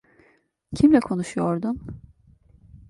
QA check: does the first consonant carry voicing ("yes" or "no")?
no